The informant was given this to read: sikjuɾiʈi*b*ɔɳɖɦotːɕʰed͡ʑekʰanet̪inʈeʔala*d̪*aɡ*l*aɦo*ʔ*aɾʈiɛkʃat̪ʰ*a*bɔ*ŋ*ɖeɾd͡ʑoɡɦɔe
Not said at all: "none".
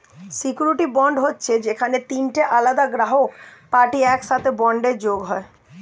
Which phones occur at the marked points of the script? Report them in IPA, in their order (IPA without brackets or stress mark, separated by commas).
b, d̪, ɾ, p, e, ɳ